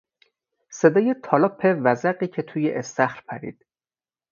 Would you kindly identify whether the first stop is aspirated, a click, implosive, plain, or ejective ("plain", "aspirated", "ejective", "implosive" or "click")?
plain